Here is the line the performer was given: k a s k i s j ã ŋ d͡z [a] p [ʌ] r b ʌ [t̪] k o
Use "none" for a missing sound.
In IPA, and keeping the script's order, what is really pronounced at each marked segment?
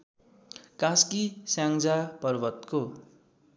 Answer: a, ʌ, t̪

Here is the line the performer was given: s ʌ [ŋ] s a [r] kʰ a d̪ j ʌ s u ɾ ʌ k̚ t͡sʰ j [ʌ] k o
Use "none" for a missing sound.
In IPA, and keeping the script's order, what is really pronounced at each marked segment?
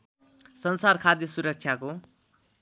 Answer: n, r, a

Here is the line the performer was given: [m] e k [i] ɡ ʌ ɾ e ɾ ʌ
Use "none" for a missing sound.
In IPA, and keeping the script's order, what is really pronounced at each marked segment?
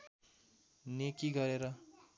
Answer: n, i

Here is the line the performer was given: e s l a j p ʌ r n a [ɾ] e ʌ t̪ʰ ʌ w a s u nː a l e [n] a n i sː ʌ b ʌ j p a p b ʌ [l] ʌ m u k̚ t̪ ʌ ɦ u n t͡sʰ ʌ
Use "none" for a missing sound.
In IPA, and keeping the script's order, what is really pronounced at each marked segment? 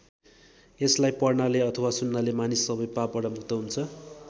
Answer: l, m, ɽ

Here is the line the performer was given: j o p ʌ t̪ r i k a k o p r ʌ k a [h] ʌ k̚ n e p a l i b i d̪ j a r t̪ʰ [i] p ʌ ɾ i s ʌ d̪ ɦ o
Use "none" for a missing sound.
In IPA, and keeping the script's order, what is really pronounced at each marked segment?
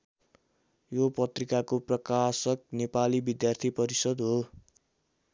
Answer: s, i

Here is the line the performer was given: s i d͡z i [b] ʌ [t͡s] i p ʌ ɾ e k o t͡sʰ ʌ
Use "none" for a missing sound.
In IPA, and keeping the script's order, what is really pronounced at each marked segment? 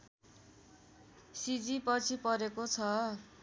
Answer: p, t͡sʰ

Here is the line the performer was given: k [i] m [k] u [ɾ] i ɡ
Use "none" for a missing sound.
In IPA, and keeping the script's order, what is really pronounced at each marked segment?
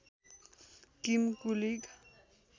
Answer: i, k, l

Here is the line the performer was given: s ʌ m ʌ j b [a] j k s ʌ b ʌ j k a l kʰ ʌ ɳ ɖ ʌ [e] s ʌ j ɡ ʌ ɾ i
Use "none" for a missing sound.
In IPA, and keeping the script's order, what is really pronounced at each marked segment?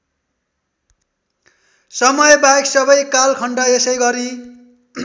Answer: a, e

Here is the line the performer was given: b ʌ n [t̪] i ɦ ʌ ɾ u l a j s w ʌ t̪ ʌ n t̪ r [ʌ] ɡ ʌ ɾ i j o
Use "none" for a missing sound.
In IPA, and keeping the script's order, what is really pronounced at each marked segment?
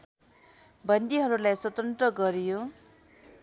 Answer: d̪, ʌ

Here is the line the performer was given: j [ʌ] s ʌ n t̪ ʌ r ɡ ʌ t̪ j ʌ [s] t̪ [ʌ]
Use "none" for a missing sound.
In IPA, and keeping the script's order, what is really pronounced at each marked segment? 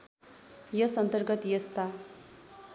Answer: ʌ, s, a

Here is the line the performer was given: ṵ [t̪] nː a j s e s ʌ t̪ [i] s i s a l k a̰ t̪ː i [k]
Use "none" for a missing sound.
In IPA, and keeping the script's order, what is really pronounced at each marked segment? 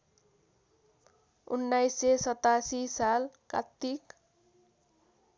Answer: none, a, k

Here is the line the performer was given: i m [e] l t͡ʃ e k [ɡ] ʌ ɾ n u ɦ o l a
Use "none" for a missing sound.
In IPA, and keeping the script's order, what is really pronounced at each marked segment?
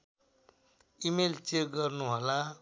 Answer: e, ɡ

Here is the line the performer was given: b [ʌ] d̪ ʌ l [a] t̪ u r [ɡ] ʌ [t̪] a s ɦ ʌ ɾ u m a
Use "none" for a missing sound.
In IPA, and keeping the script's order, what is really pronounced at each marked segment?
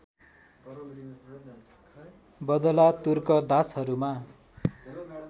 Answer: ʌ, a, k, d̪

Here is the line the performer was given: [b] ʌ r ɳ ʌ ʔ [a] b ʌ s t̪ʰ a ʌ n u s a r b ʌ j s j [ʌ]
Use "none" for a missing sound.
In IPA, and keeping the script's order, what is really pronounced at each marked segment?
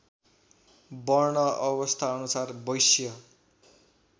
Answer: b, ʌ, ʌ

